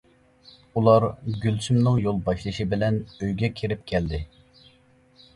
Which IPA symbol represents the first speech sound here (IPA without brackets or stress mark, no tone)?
u